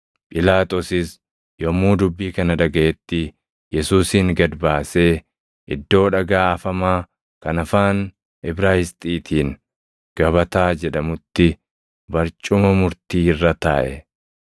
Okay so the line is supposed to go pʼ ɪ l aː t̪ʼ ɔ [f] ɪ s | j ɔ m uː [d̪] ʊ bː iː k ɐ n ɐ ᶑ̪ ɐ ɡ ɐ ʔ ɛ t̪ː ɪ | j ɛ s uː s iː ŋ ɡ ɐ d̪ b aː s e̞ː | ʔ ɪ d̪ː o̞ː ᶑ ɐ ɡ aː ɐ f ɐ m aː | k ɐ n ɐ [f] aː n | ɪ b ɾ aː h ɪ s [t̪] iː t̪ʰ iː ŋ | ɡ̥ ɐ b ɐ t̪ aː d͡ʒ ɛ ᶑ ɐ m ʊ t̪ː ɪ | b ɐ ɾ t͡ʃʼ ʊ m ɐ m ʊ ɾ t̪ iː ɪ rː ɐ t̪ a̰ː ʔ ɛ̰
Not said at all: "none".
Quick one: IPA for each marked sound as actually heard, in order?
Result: s, d̪, f, t̪ʼ

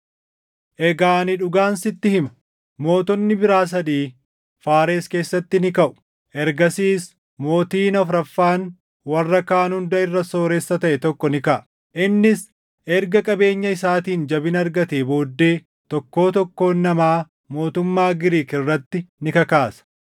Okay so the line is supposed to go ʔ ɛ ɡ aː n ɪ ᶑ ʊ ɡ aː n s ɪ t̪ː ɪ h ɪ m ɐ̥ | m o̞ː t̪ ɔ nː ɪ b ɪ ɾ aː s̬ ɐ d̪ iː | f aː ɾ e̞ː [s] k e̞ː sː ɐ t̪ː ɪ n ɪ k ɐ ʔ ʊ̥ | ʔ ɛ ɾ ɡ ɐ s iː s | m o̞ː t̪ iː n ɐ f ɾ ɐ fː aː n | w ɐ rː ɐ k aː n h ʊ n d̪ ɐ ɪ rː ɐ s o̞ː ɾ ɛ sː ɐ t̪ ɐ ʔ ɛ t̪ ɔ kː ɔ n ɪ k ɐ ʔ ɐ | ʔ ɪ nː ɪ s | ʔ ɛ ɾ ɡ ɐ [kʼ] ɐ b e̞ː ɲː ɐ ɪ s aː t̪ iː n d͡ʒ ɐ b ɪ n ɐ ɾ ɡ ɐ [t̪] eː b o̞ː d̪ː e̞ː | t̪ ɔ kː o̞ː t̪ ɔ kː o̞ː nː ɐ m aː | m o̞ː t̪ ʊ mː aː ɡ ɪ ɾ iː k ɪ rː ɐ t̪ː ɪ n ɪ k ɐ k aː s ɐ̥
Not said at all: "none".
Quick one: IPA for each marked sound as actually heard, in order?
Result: s, kʼ, t̪

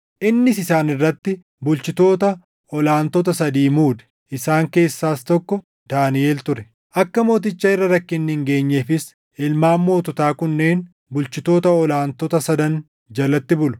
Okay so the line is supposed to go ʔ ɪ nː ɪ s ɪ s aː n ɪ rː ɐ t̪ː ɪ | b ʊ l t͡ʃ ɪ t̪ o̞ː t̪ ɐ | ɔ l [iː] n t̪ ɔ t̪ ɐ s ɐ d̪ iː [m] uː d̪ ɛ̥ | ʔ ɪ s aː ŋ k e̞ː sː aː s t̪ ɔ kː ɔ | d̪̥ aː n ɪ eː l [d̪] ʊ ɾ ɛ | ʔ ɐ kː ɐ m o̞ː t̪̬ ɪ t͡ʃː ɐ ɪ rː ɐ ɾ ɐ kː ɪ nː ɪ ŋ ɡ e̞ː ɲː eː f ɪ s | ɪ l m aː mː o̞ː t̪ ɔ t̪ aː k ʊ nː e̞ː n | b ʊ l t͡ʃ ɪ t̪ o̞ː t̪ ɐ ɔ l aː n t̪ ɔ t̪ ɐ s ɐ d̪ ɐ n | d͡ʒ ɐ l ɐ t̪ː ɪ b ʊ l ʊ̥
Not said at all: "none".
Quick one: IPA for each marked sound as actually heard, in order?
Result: aː, m, t̪

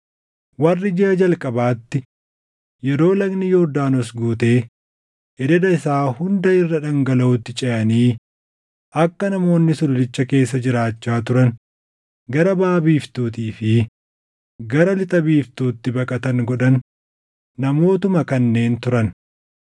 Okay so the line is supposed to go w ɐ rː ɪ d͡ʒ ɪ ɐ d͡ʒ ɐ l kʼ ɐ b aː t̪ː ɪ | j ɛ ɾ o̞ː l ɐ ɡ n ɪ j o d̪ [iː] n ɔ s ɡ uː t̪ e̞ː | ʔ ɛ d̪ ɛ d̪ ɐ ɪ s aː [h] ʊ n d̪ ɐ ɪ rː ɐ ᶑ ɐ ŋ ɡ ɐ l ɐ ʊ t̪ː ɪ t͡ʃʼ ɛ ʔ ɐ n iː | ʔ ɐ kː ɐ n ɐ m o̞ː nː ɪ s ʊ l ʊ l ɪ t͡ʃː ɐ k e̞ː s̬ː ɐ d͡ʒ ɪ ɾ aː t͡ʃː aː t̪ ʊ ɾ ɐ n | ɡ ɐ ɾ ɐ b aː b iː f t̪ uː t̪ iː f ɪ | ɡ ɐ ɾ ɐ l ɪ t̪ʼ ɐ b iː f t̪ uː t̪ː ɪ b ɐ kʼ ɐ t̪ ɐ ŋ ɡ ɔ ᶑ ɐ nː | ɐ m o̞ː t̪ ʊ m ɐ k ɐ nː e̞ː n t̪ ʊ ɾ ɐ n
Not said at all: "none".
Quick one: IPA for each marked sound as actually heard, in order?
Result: aː, h

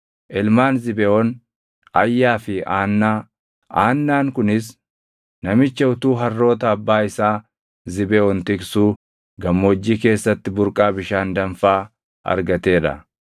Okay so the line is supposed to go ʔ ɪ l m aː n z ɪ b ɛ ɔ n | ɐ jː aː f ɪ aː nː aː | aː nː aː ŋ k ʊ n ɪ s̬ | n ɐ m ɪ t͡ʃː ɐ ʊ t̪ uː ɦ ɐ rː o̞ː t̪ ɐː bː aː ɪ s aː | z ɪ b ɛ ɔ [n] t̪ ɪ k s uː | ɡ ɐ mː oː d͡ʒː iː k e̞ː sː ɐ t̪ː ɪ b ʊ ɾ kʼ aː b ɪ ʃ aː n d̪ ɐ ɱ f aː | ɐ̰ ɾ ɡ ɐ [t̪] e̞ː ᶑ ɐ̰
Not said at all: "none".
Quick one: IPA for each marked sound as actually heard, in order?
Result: n, t̪

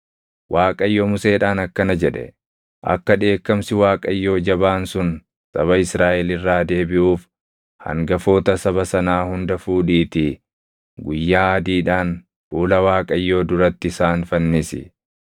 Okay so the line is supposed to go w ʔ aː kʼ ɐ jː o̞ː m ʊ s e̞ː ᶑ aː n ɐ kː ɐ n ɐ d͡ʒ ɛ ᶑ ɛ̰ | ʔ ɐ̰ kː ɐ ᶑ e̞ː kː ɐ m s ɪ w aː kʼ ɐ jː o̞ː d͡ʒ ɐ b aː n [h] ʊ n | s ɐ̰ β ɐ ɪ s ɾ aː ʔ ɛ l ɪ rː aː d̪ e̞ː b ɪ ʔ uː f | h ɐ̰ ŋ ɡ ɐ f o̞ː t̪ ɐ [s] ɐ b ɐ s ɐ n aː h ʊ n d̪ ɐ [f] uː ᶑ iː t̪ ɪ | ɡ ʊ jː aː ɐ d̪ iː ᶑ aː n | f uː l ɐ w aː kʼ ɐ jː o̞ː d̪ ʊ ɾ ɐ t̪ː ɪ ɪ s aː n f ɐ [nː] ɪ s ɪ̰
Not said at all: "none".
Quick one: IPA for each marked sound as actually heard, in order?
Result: s, s, f, nː

